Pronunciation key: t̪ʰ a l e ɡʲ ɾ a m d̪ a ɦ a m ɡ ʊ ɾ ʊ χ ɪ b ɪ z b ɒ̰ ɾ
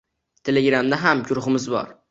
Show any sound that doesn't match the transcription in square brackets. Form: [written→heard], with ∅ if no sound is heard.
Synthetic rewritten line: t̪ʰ [a→e] l e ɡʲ ɾ a m d̪ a ɦ a m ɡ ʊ ɾ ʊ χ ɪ [b→m] ɪ z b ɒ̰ ɾ